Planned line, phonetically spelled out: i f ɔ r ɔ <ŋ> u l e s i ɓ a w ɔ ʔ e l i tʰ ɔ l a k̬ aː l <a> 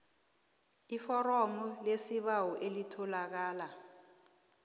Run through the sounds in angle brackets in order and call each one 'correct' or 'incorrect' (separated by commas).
incorrect, correct